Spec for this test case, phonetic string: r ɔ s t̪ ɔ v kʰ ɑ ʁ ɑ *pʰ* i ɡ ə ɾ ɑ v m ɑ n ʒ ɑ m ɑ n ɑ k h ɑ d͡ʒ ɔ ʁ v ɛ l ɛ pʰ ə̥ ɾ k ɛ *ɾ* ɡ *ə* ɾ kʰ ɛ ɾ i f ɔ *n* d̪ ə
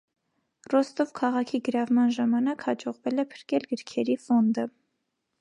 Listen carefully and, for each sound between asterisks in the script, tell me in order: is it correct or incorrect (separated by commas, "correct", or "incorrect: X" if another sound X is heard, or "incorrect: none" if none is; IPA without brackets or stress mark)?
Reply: incorrect: kʰ, incorrect: l, correct, correct